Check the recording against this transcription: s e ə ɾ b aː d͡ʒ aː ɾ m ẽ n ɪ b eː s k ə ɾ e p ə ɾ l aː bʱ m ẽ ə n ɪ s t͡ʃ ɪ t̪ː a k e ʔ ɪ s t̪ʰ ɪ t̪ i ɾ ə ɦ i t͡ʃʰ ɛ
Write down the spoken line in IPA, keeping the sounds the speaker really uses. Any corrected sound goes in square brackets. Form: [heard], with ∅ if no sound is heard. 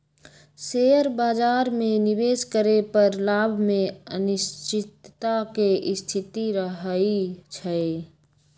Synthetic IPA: s e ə ɾ b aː d͡ʒ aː ɾ m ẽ n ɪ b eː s k ə ɾ e p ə ɾ l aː bʱ m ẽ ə n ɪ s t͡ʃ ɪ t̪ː a k e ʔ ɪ s t̪ʰ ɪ t̪ i ɾ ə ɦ i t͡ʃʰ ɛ